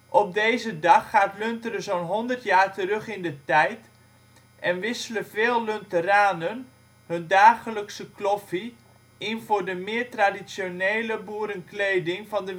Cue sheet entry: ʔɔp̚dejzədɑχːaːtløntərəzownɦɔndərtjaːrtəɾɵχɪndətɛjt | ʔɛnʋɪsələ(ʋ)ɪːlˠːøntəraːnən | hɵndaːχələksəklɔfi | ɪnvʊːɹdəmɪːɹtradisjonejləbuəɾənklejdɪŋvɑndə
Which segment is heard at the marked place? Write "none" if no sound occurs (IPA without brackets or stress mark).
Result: v